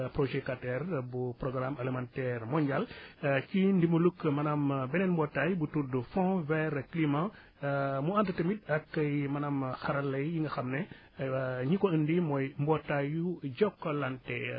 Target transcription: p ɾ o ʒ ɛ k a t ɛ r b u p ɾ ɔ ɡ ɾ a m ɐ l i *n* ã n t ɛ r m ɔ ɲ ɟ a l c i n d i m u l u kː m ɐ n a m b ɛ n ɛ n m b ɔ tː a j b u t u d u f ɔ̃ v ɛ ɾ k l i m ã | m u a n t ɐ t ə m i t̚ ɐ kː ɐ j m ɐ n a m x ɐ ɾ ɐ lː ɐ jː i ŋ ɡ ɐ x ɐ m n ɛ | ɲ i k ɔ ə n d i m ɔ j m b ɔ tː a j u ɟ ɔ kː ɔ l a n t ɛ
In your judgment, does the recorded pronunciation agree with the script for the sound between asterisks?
no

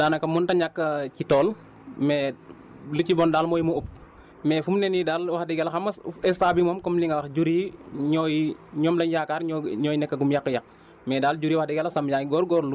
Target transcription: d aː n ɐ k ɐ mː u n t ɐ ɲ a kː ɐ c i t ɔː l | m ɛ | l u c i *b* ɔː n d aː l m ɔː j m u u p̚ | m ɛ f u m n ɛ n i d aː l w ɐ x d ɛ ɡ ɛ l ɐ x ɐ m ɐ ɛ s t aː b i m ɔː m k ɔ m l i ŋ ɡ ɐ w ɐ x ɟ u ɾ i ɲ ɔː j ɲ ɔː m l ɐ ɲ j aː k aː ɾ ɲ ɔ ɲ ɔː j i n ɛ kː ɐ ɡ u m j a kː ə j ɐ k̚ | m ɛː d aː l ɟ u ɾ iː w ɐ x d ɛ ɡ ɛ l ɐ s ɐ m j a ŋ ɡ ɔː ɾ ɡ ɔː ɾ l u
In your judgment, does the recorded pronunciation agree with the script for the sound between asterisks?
yes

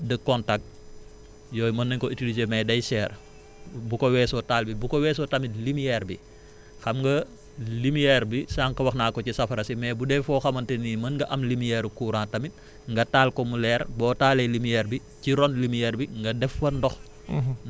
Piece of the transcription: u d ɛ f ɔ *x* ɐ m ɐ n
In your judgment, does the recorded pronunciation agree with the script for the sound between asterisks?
yes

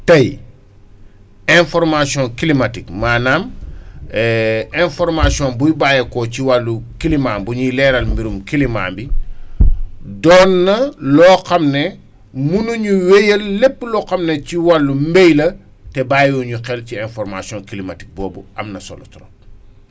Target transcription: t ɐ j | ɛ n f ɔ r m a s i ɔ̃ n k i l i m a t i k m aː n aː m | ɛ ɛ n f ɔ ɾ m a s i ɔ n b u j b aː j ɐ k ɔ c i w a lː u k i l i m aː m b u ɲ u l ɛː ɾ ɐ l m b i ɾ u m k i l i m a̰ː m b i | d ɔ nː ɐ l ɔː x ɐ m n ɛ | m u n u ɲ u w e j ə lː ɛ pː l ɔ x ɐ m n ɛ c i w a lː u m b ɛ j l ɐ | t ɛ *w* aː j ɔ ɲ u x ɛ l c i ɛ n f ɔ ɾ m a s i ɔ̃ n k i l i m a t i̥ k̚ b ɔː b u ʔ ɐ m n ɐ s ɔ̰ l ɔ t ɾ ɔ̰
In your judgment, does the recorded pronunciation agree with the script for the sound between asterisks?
no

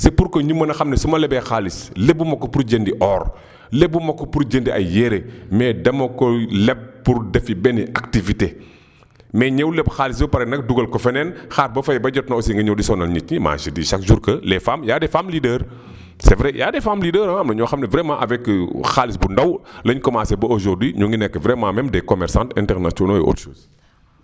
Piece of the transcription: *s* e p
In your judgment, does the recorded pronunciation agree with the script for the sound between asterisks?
yes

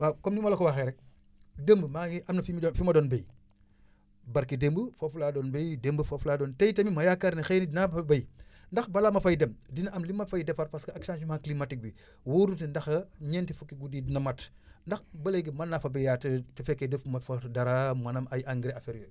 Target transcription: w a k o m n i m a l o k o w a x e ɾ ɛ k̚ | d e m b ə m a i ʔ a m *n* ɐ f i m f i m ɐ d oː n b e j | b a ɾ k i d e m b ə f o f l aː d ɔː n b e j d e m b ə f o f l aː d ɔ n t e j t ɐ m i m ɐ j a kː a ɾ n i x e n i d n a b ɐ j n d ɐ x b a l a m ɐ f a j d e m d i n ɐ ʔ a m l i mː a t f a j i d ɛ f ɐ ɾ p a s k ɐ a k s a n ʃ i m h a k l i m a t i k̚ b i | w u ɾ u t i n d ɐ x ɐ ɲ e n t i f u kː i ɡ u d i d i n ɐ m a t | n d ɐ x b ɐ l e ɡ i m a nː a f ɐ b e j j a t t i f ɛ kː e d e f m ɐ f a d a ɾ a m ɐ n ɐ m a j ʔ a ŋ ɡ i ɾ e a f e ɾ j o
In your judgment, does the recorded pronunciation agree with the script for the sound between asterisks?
yes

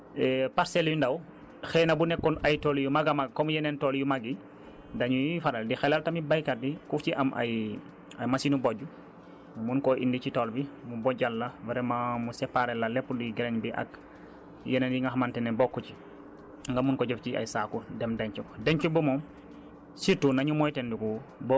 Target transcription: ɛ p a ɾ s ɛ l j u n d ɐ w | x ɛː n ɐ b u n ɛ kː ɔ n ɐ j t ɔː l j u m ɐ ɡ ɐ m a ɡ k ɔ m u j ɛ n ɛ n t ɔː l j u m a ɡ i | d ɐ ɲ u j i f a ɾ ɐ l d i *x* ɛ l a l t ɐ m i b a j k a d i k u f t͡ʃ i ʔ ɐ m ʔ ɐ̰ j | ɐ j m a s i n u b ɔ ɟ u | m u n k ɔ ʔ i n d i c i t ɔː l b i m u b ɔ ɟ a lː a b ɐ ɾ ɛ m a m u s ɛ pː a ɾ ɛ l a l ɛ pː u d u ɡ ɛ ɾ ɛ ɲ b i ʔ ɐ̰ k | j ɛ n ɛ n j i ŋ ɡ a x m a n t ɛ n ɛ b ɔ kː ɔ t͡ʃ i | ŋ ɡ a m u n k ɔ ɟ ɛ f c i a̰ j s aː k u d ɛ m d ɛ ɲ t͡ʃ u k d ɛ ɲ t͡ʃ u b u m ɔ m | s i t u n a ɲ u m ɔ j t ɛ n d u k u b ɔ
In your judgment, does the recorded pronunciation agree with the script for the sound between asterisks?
yes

